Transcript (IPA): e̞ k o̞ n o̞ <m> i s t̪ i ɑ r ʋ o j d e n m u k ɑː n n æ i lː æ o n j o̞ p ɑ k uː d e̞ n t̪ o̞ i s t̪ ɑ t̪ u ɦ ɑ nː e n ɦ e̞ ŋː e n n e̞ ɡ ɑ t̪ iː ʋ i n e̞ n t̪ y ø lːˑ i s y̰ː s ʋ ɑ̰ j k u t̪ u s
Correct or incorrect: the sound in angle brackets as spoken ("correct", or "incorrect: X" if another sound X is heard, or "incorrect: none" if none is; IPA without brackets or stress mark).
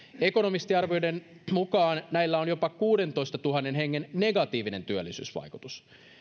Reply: correct